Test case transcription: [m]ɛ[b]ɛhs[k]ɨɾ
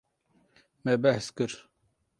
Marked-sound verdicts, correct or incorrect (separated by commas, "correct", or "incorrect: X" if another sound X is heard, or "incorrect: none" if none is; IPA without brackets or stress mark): correct, correct, correct